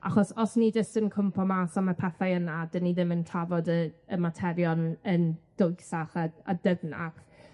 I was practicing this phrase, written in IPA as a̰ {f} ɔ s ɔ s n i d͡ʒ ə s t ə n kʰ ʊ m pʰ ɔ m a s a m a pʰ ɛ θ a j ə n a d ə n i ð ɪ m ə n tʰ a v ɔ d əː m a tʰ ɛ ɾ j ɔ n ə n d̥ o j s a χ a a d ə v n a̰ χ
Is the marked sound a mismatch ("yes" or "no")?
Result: yes